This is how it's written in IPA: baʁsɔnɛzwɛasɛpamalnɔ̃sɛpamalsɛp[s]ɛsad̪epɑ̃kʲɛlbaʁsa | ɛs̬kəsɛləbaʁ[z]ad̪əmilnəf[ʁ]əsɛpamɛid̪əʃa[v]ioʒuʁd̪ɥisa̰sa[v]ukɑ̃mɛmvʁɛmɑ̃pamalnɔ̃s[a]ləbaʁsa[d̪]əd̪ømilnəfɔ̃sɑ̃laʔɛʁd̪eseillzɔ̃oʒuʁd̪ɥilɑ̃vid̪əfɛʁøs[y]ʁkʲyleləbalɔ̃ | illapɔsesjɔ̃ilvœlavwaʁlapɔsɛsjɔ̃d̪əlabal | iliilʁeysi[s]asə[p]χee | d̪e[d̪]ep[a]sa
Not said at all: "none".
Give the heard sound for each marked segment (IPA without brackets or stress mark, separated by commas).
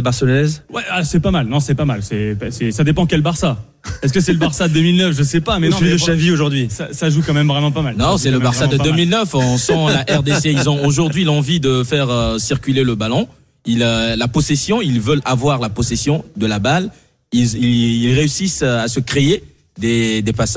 s, s, ʒ, v, ʒ, ɛ, d̪, i, s, k, d̪, a